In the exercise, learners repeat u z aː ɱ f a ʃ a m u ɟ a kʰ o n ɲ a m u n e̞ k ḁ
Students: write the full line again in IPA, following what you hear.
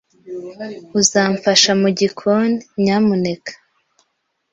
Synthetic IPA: u z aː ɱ f a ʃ a m u ɟ i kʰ o n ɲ a m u n e̞ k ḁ